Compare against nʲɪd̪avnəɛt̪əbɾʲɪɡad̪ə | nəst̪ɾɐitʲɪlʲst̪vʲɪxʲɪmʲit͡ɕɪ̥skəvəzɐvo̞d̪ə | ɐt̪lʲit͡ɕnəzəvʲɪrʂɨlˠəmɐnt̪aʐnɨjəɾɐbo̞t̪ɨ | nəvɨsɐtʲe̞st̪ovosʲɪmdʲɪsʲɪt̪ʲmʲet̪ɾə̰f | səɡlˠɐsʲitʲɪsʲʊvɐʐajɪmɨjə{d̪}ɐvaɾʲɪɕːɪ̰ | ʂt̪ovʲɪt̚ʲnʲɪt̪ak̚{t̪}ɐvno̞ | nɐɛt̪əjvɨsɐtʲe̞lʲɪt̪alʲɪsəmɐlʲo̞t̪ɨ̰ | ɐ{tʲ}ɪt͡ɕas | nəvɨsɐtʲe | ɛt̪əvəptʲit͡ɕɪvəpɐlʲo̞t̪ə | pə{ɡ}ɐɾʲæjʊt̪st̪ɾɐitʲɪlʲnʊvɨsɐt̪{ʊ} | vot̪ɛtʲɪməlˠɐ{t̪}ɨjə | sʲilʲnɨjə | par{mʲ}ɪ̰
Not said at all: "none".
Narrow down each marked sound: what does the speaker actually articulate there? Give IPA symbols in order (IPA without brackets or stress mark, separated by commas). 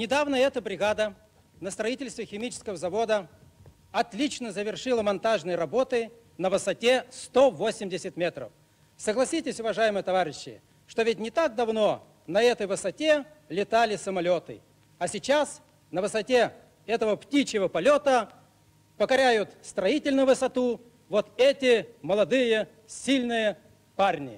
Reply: t̪, d̪, sʲ, k, u, d̪, nʲ